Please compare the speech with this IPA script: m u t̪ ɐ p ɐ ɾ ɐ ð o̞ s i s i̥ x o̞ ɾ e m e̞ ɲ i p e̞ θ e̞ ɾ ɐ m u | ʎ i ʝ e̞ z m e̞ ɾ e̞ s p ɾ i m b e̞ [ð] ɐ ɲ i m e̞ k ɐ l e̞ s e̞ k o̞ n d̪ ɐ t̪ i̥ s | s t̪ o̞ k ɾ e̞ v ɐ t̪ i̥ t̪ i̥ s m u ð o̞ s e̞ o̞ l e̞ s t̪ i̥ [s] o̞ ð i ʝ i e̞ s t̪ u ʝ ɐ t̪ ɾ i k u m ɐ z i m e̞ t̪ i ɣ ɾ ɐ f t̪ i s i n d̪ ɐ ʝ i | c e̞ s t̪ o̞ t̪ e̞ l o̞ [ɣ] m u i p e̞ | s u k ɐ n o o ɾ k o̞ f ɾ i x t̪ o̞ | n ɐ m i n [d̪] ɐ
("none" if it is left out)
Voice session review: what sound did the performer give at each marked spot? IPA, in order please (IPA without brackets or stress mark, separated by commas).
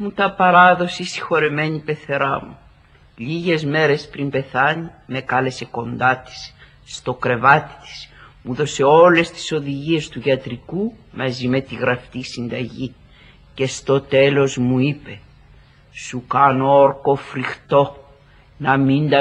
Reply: θ, s, z, d̪